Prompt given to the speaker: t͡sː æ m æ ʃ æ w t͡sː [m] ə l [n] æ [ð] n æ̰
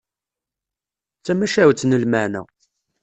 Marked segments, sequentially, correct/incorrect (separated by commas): incorrect, incorrect, incorrect